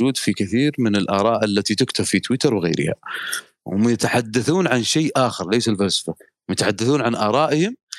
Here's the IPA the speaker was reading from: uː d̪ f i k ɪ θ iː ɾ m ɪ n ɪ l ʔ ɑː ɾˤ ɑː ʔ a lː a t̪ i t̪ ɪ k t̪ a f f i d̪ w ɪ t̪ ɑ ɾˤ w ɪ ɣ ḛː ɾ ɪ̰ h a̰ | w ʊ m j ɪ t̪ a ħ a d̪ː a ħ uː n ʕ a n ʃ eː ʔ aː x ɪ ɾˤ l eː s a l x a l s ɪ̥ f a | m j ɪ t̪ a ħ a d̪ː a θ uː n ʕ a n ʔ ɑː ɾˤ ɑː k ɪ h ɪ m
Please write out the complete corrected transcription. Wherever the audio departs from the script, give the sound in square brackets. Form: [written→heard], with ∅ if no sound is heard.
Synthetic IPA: uː d̪ f i k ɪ θ iː ɾ m ɪ n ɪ l ʔ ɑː ɾˤ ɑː ʔ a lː a t̪ i t̪ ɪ k t̪ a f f i [d̪→t̪] w ɪ t̪ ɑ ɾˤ w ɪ ɣ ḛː ɾ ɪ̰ h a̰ | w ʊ m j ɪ t̪ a ħ a d̪ː a [ħ→θ] uː n ʕ a n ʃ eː ʔ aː x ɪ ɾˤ l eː s a l [x→f] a l s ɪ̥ f a | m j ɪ t̪ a ħ a d̪ː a θ uː n ʕ a n ʔ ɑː ɾˤ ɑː [k→ʔ] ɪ h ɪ m